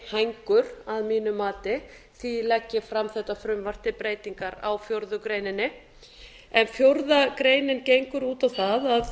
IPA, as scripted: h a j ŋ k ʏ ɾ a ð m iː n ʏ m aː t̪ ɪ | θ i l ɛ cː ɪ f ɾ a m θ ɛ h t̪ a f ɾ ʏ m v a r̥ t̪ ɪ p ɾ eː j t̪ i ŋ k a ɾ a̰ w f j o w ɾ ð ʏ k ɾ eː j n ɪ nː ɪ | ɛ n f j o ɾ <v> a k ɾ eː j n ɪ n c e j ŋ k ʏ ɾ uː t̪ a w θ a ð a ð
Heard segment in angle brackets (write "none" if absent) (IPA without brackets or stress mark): ð